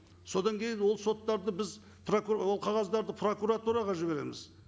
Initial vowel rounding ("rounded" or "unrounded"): rounded